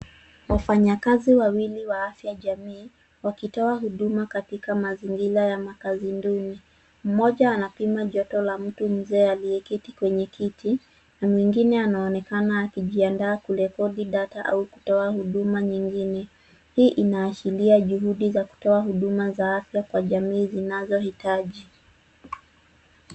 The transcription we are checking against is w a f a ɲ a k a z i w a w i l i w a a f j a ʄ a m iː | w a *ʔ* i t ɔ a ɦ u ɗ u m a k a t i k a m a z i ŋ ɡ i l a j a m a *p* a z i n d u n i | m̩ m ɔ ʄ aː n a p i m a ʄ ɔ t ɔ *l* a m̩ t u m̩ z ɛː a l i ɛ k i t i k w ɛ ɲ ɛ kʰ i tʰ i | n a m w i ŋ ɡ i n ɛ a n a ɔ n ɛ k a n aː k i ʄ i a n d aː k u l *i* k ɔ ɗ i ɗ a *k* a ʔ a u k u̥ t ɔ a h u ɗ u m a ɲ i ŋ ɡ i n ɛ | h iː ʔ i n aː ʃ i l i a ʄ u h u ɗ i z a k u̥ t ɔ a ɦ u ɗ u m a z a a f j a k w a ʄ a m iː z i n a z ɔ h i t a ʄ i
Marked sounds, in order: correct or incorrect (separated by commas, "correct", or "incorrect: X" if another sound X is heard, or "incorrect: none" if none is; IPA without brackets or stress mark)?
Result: incorrect: k, incorrect: k, correct, incorrect: ɛ, incorrect: t